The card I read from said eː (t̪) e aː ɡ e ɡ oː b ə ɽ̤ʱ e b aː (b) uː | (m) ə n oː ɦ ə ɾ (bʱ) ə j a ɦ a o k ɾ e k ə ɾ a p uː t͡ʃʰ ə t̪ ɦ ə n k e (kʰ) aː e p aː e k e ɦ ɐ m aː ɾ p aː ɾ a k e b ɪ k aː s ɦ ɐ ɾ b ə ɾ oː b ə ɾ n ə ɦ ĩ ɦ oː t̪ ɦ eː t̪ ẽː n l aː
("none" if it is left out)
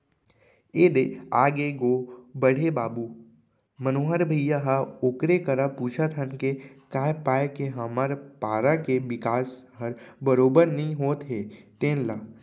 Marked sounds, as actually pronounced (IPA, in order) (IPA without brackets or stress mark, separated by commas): d̪, b, m, bʱ, k